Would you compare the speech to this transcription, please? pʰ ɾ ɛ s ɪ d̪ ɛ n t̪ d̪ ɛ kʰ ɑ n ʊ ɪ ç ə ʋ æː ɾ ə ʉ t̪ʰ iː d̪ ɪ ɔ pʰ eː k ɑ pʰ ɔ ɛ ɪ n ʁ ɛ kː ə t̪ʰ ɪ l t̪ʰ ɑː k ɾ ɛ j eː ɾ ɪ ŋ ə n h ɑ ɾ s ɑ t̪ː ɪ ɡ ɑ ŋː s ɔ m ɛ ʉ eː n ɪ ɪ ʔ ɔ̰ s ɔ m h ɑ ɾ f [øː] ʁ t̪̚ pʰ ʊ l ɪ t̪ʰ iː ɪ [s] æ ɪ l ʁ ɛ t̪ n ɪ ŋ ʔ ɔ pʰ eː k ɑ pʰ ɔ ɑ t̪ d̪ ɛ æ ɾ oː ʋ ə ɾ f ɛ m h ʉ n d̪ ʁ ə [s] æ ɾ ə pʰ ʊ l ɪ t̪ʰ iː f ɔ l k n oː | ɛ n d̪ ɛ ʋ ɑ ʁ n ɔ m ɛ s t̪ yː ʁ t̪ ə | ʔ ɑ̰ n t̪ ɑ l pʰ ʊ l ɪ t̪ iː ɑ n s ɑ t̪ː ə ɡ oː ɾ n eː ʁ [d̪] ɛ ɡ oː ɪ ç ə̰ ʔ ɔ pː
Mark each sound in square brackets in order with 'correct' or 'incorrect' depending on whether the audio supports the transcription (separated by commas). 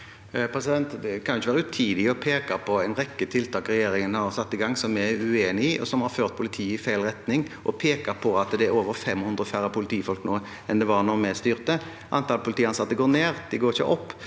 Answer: correct, incorrect, incorrect, correct